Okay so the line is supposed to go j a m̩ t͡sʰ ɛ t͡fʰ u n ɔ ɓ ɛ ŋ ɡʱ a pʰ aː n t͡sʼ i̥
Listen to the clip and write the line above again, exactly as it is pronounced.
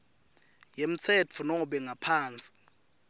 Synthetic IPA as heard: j e m̩ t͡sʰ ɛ t͡fʰ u n ɔ ɓ ɛ ŋ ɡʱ a pʰ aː n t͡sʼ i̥